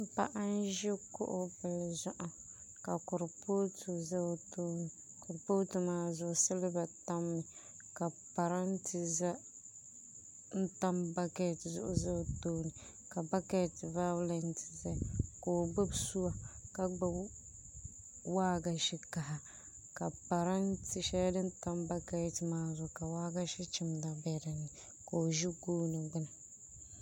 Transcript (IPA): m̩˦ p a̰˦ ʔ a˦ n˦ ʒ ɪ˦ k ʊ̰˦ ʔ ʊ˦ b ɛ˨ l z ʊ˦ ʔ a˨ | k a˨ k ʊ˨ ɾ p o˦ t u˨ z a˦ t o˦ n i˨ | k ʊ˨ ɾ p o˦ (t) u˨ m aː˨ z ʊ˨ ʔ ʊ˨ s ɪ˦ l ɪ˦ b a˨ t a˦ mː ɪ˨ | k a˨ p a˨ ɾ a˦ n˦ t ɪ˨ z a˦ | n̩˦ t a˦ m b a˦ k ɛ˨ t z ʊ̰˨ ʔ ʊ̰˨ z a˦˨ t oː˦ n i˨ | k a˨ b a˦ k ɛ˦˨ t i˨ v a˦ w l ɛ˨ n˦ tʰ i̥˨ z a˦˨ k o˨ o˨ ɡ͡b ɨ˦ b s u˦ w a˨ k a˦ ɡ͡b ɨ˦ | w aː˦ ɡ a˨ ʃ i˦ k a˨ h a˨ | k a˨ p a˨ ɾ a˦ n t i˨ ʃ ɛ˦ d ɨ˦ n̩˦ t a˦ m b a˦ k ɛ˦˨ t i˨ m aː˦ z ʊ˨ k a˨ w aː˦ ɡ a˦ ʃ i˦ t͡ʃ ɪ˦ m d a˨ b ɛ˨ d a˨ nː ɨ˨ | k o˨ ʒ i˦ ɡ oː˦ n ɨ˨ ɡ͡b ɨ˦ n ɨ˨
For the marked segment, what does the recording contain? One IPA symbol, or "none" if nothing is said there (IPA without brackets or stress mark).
t